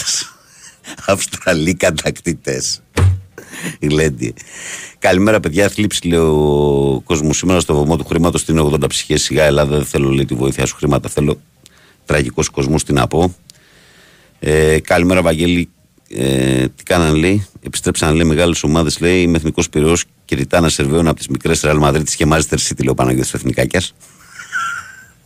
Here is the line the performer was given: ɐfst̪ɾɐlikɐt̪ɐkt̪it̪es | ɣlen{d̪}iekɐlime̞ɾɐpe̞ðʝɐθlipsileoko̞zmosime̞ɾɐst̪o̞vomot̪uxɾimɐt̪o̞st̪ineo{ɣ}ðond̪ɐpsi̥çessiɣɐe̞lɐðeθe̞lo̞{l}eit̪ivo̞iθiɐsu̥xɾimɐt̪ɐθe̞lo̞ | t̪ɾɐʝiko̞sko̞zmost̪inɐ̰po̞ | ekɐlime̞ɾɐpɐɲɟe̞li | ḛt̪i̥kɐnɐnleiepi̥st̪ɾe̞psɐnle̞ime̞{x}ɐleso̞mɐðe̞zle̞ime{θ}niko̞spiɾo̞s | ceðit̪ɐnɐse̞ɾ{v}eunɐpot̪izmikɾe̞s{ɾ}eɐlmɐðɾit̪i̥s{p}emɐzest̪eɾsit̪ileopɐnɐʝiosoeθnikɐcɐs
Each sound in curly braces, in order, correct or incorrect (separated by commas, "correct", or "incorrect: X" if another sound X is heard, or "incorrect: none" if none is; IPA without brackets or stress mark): correct, correct, correct, incorrect: ɣ, correct, correct, correct, incorrect: c